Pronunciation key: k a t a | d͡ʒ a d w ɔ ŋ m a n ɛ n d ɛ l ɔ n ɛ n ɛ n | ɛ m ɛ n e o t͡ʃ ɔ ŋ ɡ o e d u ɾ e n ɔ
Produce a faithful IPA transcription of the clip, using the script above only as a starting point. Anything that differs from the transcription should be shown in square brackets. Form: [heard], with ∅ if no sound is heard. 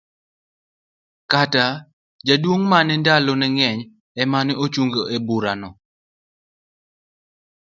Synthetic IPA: k a t a | d͡ʒ a d w [o] ŋ m a n ɛ n d [a] l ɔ n ɛ [ŋ] ɛ [ɲ] | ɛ m [a] n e o t͡ʃ [u] ŋ ɡ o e [b] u ɾ [a] n ɔ